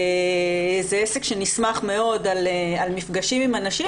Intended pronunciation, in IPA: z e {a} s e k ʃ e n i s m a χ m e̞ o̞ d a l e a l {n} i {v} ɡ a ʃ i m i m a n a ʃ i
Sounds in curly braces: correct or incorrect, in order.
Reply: incorrect: e, incorrect: m, incorrect: f

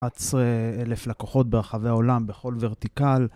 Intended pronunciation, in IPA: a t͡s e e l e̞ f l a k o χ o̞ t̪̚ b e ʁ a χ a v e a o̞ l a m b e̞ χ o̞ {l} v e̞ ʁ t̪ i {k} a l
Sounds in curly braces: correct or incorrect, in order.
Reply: correct, correct

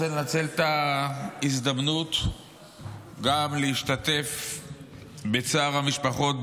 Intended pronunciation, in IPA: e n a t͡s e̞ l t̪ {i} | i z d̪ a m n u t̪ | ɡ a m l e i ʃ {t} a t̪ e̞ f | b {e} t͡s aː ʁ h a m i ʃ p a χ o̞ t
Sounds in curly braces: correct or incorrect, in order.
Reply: incorrect: a, correct, correct

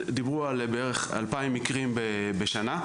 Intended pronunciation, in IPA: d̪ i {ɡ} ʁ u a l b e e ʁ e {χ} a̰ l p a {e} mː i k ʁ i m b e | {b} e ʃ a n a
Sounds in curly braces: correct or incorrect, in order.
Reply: incorrect: b, correct, incorrect: i, correct

